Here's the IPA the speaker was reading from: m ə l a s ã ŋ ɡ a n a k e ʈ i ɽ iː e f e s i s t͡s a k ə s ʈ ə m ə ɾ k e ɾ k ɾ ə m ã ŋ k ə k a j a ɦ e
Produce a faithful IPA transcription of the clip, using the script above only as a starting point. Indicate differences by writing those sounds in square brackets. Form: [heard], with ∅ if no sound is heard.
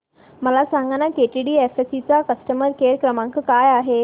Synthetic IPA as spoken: m ə l a s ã ŋ ɡ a n a k e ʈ i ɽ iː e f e s i [∅] t͡s a k ə s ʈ ə m ə ɾ k e ɾ k ɾ ə m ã ŋ k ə k a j a ɦ e